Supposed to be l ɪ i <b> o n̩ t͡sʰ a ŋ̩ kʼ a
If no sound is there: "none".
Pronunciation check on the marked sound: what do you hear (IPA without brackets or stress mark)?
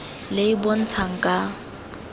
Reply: b